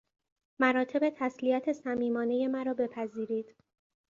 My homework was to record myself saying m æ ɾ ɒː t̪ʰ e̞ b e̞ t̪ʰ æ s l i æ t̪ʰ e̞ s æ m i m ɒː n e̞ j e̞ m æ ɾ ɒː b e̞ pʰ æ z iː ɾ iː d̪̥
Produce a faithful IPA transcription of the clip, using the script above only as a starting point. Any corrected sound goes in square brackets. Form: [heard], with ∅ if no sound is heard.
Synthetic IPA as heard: m æ ɾ ɒː t̪ʰ e̞ b e̞ t̪ʰ æ s l i æ t̪ʰ e̞ s æ m [iː] m ɒː n e̞ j e̞ m æ ɾ ɒː b e̞ pʰ æ z iː ɾ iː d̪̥